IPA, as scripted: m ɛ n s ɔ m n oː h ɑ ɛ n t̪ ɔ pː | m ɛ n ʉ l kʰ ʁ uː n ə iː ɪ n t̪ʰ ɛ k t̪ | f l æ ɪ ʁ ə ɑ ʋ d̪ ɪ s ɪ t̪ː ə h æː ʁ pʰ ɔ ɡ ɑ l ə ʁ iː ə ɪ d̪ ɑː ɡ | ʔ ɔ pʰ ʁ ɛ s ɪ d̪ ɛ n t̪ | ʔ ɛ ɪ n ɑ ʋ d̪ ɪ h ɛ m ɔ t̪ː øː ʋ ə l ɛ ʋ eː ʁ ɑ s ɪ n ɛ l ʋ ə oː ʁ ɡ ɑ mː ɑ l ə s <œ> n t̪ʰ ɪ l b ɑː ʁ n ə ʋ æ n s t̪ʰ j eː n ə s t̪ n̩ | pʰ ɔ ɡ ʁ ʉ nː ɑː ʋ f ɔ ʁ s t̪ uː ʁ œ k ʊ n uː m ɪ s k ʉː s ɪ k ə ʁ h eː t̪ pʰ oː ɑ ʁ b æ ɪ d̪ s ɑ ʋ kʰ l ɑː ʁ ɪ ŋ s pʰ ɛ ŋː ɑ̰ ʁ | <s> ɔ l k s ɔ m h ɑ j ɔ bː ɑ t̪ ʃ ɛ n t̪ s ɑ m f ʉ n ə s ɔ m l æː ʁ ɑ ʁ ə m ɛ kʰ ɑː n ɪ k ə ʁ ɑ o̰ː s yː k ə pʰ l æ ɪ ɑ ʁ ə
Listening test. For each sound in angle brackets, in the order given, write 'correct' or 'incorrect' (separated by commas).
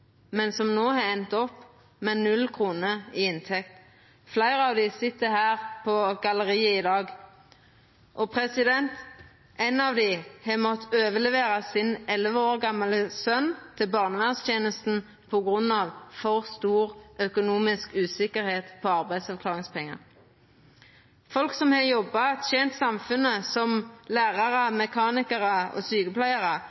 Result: correct, incorrect